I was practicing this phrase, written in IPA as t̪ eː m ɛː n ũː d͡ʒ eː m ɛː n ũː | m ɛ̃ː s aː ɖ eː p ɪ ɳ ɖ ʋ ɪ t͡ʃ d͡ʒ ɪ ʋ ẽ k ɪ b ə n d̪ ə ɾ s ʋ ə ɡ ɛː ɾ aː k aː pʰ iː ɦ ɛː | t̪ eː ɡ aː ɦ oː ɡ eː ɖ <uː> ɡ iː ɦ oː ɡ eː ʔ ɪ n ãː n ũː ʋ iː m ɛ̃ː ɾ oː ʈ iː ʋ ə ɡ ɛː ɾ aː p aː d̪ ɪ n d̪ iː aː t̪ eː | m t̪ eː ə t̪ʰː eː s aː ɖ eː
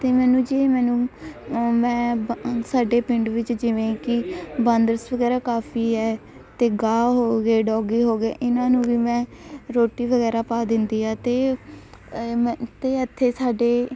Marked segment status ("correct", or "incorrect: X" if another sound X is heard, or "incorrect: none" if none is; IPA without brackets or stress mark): incorrect: ɔː